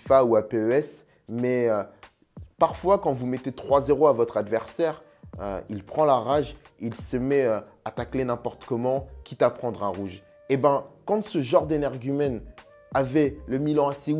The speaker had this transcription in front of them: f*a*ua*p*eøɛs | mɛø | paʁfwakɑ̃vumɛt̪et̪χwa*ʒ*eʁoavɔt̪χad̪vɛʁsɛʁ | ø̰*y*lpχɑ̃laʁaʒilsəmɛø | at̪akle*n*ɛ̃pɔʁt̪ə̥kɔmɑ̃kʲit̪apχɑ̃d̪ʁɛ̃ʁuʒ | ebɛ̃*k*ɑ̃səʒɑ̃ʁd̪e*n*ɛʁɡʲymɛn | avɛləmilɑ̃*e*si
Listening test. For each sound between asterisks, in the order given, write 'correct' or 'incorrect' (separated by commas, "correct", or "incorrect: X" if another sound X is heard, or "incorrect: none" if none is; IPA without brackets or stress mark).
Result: correct, correct, incorrect: z, incorrect: i, correct, correct, correct, incorrect: a